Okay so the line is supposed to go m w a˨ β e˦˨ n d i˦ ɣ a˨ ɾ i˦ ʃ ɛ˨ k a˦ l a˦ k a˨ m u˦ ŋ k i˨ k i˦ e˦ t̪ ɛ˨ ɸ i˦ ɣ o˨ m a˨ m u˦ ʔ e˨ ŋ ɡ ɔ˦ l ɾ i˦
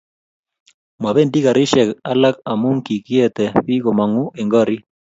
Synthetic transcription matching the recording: m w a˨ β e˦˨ n d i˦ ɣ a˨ ɾ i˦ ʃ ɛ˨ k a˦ l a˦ k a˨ m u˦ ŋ k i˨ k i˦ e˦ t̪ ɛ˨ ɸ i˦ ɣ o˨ m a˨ ŋ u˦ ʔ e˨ ŋ ɡ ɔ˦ ɾ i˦